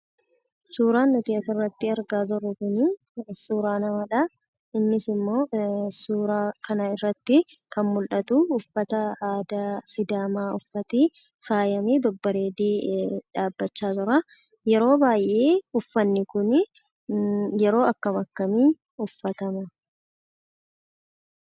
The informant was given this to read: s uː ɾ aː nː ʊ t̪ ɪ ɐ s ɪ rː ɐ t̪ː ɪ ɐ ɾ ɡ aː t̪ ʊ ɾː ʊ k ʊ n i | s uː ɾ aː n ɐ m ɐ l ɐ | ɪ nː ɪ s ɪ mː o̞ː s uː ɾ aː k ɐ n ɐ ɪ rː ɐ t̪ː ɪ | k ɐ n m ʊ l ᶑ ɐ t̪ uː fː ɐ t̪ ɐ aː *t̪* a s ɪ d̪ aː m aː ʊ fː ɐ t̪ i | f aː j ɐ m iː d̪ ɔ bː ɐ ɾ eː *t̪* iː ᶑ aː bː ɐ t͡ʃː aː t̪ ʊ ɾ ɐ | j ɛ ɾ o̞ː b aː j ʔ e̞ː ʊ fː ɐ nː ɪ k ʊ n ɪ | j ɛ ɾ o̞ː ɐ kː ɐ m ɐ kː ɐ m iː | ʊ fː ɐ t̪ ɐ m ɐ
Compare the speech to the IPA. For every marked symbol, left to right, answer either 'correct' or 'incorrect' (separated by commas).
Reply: incorrect, incorrect